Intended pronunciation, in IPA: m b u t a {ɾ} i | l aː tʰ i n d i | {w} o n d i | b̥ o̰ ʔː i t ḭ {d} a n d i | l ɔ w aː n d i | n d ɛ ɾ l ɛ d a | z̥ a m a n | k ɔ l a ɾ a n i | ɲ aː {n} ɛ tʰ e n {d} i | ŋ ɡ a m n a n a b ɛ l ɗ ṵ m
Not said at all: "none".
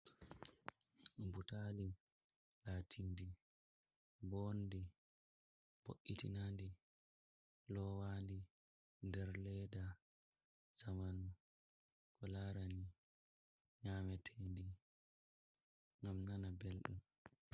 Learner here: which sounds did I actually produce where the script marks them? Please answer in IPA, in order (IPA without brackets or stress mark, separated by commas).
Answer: l, b, n, m, d